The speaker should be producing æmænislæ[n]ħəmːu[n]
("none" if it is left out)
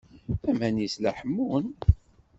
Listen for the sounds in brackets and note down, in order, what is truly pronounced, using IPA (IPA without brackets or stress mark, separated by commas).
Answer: none, n